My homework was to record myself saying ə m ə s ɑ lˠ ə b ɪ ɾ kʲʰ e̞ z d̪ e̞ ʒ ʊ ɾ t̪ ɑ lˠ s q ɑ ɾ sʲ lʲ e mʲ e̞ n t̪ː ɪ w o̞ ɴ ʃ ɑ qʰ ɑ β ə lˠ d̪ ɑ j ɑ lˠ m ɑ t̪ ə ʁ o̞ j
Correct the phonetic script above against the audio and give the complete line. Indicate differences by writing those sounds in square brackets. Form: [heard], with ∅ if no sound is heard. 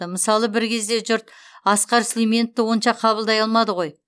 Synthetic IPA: ə m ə s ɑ lˠ ə b ɪ ɾ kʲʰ e̞ z d̪ e̞ ʒ ʊ ɾ t̪ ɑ [∅] s q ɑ ɾ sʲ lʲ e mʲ e̞ n t̪ː ɪ w o̞ [n] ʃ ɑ qʰ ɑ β ə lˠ d̪ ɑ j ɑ lˠ m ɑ [d̪] ə ʁ o̞ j